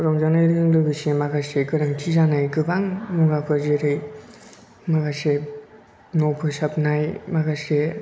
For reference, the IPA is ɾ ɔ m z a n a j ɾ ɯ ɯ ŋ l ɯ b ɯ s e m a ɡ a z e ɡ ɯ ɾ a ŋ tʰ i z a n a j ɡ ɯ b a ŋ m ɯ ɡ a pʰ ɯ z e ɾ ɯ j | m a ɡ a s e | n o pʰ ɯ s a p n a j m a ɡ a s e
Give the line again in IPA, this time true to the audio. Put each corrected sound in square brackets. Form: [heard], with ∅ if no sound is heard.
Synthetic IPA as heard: ɾ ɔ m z a n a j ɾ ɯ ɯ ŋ l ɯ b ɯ s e m a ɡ a [s] e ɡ ɯ ɾ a ŋ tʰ i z a n a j ɡ ɯ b a ŋ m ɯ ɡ a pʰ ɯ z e ɾ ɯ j | m a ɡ a s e | n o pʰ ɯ s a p n a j m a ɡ a s e